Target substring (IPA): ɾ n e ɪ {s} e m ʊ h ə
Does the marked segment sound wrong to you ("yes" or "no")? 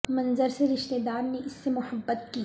yes